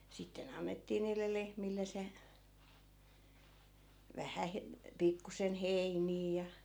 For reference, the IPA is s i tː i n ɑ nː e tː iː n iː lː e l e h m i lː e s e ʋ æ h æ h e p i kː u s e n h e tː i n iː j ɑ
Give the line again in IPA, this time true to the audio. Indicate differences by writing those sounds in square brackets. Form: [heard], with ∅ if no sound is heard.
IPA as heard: s i tː [e] n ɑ nː e tː iː n iː lː e l e h m i lː e s e ʋ æ h æ h e p i kː u s e n h e [∅] i n iː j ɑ